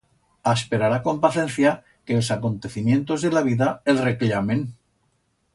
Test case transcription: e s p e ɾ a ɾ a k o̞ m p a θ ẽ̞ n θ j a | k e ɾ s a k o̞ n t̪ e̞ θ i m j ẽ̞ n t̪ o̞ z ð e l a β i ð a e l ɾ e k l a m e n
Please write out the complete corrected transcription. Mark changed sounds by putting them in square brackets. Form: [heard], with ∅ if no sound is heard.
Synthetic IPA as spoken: [a] s p e ɾ a ɾ a k o̞ m p a θ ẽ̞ n θ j a | k e [l] s a k o̞ n t̪ e̞ θ i m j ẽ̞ n t̪ o̞ z ð e l a β i ð a e l [r] e k l a m e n